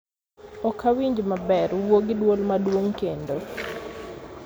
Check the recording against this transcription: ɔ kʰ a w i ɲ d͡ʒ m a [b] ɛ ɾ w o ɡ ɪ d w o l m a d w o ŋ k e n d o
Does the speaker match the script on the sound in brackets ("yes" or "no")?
yes